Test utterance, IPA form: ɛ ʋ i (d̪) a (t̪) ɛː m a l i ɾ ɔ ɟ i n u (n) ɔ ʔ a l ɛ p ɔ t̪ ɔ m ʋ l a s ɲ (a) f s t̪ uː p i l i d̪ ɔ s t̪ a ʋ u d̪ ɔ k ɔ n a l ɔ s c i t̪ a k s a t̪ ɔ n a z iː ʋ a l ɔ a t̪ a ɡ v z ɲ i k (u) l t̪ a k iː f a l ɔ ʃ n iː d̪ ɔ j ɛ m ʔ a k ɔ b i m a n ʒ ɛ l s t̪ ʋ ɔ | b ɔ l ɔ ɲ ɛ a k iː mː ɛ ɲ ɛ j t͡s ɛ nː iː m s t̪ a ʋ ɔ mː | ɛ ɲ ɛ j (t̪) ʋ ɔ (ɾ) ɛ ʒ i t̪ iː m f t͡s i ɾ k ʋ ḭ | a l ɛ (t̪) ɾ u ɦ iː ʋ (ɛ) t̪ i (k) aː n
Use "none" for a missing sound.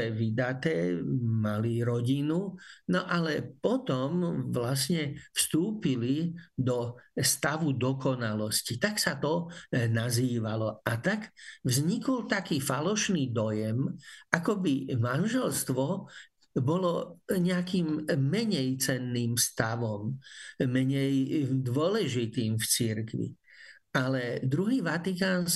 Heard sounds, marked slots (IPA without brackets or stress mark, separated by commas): d̪, t̪, n, ɛ, ɔ, d̪, l, d̪, a, k